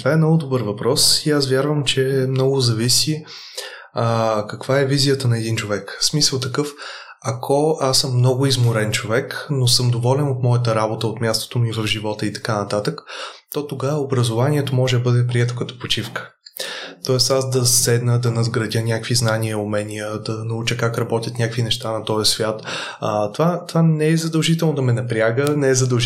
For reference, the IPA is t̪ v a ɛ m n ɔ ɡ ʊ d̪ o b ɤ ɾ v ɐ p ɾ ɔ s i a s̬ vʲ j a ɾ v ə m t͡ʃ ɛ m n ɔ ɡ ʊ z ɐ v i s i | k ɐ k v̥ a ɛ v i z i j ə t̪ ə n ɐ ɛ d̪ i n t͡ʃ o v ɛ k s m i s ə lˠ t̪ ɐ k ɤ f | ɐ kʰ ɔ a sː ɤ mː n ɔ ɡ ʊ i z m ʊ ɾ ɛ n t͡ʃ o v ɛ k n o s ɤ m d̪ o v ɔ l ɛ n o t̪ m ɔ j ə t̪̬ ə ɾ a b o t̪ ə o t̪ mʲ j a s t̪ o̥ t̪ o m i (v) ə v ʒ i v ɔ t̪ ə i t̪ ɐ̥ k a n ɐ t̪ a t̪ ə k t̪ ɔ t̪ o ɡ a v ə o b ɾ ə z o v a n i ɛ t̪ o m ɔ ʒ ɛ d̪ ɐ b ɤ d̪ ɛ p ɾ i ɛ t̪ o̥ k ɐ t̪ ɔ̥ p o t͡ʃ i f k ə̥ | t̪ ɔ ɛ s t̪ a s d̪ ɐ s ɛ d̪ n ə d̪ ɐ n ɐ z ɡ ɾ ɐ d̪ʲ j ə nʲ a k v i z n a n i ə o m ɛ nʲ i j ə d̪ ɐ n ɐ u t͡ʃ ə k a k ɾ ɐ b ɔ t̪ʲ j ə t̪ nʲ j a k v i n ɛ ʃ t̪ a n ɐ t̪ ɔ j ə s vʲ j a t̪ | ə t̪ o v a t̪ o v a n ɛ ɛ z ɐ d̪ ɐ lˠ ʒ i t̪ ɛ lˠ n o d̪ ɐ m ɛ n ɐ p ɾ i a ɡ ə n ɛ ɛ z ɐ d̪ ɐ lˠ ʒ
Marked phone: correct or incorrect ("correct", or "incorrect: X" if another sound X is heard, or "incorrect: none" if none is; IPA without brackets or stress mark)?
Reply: correct